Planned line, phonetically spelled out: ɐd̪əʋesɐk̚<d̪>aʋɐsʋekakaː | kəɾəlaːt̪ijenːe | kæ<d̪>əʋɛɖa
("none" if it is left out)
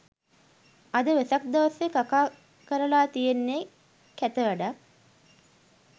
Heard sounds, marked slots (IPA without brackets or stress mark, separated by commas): d̪, t̪